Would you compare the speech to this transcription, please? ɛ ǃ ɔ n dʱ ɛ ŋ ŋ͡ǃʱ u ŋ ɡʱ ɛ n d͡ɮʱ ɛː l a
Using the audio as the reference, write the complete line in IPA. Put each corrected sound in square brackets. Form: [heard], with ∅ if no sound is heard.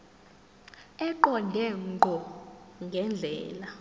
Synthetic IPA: ɛ ǃ ɔ n dʱ ɛ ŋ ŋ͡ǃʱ [ɔ] ŋ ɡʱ ɛ n d͡ɮʱ ɛː l a